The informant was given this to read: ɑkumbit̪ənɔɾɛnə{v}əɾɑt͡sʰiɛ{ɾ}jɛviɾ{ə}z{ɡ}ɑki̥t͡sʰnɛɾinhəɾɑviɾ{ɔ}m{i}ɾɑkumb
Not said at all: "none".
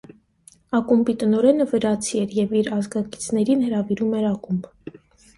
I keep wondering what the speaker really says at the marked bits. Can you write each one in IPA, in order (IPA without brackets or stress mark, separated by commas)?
v, ɾ, ɑ, ɡ, u, ɛ